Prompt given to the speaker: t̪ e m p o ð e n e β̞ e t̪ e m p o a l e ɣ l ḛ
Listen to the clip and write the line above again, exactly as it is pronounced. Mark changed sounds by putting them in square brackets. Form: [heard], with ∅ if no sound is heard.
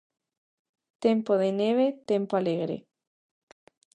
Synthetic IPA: t̪ e m p o ð e n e β̞ e t̪ e m p o a l e ɣ [ɾ] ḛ